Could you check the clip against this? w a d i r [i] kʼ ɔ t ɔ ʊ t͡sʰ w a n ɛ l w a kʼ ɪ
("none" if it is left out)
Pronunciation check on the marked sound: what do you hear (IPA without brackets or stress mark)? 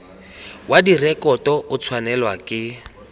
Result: ɛ